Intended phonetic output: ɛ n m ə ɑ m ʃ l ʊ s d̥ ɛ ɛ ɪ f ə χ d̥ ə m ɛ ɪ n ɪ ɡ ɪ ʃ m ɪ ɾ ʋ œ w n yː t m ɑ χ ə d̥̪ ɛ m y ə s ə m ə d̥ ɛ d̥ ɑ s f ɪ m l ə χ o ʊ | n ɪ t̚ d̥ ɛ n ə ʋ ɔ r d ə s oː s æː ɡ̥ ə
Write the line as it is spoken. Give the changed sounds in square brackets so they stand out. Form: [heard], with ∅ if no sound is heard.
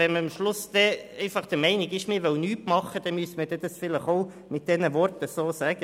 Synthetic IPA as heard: ɛ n m ə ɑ m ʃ l ʊ s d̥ ɛ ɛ ɪ f [ɑ] χ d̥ ə m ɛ ɪ n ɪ ɡ ɪ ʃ m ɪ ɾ ʋ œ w n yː t m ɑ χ ə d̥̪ ɛ m y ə s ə m ə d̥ ɛ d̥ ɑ s f ɪ [∅] l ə χ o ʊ | [m] ɪ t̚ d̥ ɛ n ə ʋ ɔ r [t] ə s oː s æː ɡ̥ ə